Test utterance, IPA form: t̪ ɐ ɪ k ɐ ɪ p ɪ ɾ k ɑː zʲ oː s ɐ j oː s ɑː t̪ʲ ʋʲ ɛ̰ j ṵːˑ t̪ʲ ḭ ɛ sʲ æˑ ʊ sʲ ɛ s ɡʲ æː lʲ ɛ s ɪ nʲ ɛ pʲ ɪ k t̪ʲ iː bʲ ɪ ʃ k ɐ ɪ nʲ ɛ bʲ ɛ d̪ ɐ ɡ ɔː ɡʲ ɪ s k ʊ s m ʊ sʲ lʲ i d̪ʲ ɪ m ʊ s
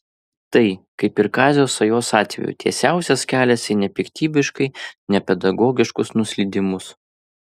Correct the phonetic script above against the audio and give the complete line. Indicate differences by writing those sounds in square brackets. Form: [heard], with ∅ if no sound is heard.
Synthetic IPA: t̪ ɐ ɪ k ɐ ɪ p ɪ ɾ k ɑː zʲ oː s ɐ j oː s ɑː t̪ʲ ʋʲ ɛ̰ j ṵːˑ t̪ʲ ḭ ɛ sʲ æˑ ʊ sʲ ɛ s [kʲ] æː lʲ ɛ s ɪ nʲ ɛ pʲ ɪ k t̪ʲ iː bʲ ɪ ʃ k ɐ ɪ nʲ ɛ [pʲ] ɛ d̪ ɐ ɡ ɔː ɡʲ ɪ [ʃ] k ʊ s [n] ʊ sʲ lʲ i d̪ʲ ɪ m ʊ s

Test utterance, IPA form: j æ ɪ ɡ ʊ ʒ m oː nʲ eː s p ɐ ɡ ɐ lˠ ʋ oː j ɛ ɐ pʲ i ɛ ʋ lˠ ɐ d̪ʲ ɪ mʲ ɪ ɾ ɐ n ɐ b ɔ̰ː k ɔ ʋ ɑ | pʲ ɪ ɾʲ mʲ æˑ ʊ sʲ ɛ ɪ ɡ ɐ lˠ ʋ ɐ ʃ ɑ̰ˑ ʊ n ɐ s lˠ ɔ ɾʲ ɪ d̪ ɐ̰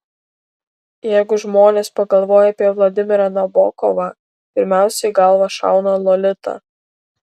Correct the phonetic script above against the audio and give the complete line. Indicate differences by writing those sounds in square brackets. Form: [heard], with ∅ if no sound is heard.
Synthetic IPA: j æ ɪ ɡ ʊ ʒ m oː nʲ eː s p ɐ ɡ ɐ lˠ ʋ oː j ɛ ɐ pʲ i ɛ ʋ lˠ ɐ d̪ʲ ɪ mʲ ɪ ɾ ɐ n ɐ b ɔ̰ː k ɔ ʋ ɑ | pʲ ɪ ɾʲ mʲ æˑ ʊ sʲ ɛ ɪ ɡ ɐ lˠ ʋ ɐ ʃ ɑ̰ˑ ʊ n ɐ [∅] lˠ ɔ [lʲ] ɪ [t̪] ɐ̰

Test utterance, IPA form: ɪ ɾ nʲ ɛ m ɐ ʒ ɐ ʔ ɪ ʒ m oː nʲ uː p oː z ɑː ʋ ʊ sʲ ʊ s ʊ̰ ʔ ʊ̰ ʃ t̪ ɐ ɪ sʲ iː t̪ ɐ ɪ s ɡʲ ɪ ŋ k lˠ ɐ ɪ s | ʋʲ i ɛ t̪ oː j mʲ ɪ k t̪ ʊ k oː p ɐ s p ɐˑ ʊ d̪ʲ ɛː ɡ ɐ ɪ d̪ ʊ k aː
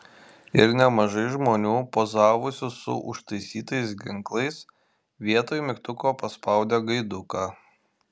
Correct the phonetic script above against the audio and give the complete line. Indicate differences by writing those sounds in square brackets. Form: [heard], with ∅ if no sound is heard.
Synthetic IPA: ɪ ɾ nʲ ɛ m ɐ ʒ ɐ [∅] ɪ ʒ m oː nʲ uː p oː z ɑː ʋ ʊ sʲ ʊ s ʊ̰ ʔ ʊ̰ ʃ t̪ ɐ ɪ sʲ iː t̪ ɐ ɪ s ɡʲ ɪ ŋ k lˠ ɐ ɪ s | ʋʲ i ɛ t̪ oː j mʲ ɪ k t̪ ʊ k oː p ɐ s p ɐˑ ʊ d̪ʲ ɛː ɡ ɐ ɪ d̪ ʊ k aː

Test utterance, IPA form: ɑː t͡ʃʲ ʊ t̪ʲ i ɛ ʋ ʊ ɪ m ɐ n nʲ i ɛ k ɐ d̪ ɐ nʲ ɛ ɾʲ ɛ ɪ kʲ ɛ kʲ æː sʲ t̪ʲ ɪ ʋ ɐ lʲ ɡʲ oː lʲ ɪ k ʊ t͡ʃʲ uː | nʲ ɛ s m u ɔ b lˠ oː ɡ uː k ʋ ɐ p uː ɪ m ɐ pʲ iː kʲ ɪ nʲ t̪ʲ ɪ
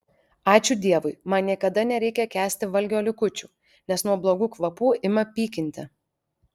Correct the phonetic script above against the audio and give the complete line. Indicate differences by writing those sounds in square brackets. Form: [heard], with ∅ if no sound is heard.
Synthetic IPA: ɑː t͡ʃʲ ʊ [d̪ʲ] i ɛ ʋ ʊ ɪ m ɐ n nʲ i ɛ k ɐ d̪ ɐ nʲ ɛ ɾʲ ɛ ɪ kʲ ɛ kʲ æː sʲ t̪ʲ ɪ ʋ ɐ lʲ ɡʲ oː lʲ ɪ k ʊ t͡ʃʲ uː | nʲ ɛ s [n] u ɔ b lˠ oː ɡ uː k ʋ ɐ p uː ɪ m ɐ pʲ iː kʲ ɪ nʲ t̪ʲ ɪ

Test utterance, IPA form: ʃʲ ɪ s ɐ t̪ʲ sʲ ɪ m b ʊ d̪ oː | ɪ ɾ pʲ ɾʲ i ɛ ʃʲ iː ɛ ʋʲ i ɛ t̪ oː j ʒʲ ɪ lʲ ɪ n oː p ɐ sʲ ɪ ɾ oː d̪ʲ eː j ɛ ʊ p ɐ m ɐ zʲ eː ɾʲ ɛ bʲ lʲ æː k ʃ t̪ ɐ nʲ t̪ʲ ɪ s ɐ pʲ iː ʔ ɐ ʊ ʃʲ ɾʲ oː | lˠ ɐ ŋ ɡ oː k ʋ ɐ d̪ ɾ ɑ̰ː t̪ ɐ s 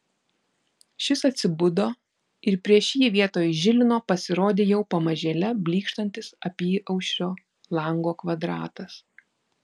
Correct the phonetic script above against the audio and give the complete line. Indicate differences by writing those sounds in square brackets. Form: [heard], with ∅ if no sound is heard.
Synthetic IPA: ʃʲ ɪ s ɐ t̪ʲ sʲ ɪ [∅] b ʊ d̪ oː | ɪ ɾ pʲ ɾʲ i ɛ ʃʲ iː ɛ ʋʲ i ɛ t̪ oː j ʒʲ ɪ lʲ ɪ n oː p ɐ sʲ ɪ ɾ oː d̪ʲ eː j ɛ ʊ p ɐ m ɐ [ʒʲ] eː [lʲ] ɛ bʲ lʲ [iː] k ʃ t̪ ɐ nʲ t̪ʲ ɪ s ɐ pʲ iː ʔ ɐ ʊ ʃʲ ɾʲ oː | lˠ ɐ ŋ ɡ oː k ʋ ɐ d̪ ɾ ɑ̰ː t̪ ɐ s

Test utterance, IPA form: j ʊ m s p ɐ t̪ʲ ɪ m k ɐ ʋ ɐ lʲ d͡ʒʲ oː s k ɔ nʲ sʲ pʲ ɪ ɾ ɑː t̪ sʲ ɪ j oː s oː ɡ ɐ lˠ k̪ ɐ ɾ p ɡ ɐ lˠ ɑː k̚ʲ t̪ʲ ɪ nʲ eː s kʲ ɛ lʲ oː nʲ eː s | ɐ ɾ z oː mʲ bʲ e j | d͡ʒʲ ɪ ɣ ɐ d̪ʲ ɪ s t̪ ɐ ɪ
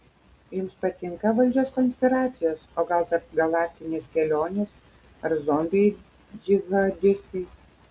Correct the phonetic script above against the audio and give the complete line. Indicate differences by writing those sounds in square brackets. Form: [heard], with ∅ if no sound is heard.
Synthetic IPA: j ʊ m s p ɐ t̪ʲ ɪ [ŋ] k ɐ ʋ ɐ lʲ d͡ʒʲ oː s k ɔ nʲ sʲ pʲ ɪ ɾ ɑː t̪ sʲ ɪ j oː s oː ɡ ɐ lˠ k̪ ɐ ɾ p ɡ ɐ lˠ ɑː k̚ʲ t̪ʲ ɪ nʲ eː s kʲ ɛ lʲ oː nʲ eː s | ɐ ɾ z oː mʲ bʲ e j | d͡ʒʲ ɪ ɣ ɐ d̪ʲ ɪ s t̪ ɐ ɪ

